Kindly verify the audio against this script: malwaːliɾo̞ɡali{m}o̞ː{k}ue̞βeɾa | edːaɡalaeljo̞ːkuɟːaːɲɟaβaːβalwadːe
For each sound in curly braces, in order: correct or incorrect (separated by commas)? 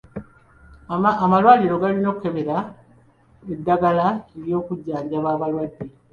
incorrect, correct